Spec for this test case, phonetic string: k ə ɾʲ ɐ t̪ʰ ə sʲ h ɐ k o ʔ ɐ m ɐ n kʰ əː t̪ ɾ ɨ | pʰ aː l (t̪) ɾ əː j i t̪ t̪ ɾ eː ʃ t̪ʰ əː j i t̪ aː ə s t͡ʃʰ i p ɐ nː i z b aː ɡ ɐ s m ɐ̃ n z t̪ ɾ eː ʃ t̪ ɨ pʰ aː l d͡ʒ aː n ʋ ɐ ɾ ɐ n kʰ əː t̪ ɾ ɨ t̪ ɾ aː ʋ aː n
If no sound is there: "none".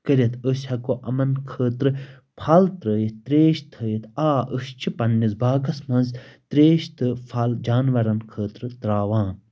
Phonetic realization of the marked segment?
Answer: t̪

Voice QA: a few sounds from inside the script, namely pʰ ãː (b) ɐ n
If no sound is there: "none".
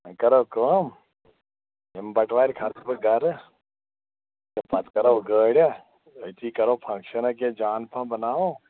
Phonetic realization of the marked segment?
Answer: b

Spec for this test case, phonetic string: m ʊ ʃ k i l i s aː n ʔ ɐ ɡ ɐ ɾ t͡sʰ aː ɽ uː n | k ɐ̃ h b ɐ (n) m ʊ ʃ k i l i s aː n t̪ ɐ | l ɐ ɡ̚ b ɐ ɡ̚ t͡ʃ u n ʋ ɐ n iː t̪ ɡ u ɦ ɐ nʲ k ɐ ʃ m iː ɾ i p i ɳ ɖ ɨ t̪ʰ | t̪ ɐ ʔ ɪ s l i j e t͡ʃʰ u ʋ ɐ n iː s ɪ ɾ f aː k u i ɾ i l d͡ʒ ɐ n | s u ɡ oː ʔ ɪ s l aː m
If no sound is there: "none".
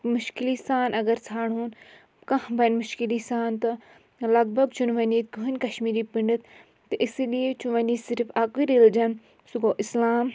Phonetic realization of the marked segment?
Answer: n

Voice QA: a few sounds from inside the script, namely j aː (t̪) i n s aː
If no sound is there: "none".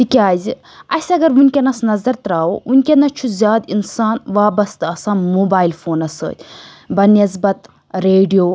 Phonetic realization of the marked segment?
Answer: d̪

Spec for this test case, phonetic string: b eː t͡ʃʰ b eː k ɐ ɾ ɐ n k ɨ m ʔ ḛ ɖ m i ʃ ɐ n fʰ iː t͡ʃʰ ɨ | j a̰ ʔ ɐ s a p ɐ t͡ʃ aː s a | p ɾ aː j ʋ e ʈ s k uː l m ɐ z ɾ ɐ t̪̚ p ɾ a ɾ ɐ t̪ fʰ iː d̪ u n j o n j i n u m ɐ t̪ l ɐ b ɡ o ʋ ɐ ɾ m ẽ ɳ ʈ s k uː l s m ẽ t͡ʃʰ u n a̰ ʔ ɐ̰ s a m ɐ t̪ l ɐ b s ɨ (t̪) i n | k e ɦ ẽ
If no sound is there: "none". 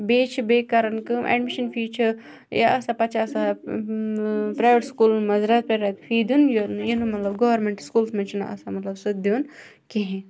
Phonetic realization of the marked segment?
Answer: d̪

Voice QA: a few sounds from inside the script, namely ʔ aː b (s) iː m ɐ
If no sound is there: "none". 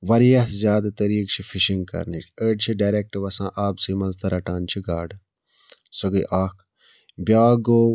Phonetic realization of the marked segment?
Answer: s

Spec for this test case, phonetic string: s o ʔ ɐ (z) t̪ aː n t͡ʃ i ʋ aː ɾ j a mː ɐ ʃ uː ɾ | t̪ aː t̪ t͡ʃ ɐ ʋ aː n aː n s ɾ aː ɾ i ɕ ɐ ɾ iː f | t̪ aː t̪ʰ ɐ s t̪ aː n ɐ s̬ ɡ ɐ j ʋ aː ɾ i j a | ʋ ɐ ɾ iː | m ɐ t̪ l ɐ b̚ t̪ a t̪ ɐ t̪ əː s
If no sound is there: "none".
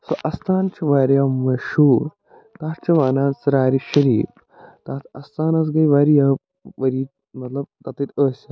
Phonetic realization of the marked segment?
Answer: s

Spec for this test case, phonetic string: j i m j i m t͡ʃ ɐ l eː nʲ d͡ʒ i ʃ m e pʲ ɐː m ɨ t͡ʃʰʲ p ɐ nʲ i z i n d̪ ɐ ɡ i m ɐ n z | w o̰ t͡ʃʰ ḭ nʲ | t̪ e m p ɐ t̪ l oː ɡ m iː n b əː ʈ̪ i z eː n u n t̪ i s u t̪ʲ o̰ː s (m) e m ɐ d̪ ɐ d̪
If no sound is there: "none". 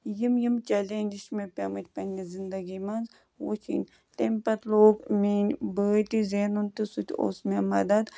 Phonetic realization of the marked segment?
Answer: m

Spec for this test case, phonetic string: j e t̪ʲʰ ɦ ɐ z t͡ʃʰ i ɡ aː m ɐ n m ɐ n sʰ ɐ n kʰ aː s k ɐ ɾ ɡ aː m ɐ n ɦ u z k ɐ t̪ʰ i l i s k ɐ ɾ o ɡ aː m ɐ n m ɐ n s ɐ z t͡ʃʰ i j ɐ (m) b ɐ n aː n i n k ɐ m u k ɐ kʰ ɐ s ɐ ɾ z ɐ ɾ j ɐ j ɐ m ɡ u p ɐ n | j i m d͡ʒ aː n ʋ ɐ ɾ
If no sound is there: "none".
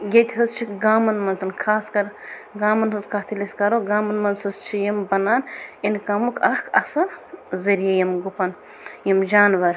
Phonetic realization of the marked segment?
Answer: m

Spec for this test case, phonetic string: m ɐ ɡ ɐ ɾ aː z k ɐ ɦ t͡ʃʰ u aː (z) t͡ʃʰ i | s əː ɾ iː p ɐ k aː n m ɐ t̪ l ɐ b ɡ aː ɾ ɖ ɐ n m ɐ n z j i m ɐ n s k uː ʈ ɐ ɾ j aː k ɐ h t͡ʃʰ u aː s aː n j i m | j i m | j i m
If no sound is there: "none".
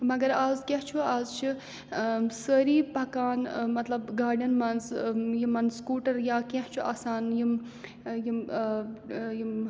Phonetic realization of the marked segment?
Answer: z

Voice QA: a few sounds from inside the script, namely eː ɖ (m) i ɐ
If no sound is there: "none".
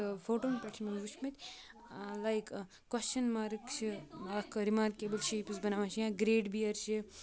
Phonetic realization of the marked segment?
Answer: b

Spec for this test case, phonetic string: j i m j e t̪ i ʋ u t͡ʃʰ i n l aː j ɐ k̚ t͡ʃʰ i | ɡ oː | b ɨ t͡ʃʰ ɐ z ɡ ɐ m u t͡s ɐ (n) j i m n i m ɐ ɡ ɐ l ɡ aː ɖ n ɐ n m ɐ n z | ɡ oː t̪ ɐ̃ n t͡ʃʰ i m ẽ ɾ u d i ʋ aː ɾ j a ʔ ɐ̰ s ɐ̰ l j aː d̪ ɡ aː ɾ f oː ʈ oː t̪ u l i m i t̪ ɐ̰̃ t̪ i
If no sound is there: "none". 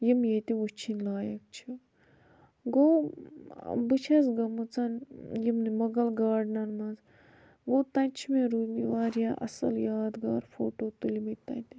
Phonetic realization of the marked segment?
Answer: n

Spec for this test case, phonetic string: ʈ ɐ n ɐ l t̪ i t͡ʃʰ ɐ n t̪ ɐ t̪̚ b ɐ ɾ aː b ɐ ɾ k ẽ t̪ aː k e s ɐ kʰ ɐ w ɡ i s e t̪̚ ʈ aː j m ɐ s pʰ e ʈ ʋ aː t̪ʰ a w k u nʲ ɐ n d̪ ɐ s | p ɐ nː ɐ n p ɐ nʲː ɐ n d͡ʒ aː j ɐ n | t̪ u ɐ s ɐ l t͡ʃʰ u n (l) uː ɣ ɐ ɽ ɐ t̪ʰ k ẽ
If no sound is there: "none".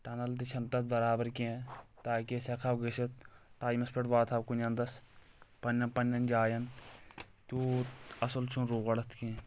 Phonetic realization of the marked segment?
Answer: ɾ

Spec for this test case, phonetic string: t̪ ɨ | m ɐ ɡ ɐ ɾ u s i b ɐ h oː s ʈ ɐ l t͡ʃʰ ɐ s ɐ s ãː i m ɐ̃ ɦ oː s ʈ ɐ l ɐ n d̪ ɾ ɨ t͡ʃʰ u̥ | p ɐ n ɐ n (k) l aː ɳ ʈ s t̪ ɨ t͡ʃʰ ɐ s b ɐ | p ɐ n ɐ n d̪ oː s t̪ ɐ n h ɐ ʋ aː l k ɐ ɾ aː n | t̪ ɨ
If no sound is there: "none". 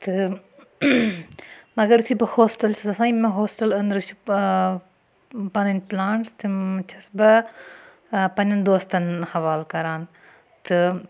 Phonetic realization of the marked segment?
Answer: p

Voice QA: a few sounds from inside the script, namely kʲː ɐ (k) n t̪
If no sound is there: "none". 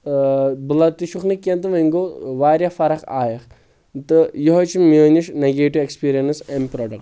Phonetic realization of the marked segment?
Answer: none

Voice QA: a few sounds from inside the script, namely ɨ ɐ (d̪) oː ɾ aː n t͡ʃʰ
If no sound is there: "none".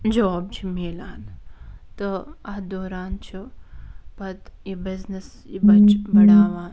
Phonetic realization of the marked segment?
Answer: d̪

